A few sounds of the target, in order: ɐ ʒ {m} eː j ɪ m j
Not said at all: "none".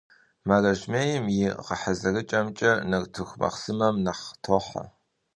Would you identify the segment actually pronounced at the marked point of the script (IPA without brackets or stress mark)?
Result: m